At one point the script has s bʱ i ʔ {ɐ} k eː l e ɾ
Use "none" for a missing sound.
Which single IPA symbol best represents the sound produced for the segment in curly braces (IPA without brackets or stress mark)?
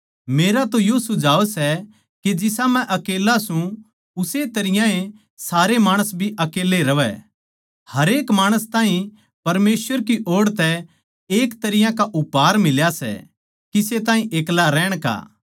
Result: ɐ